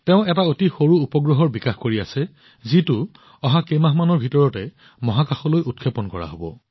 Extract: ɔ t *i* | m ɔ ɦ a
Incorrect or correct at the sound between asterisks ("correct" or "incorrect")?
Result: incorrect